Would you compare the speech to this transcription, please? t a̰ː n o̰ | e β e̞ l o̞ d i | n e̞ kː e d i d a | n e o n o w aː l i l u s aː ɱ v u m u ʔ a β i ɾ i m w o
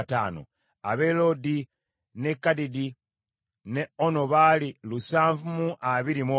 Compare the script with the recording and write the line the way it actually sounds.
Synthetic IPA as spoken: t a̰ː n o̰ | a β e̞ l o̞ d i | n e̞ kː a d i d i | n e o n o β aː l i l u s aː ɱ v u m u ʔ a β i ɾ i m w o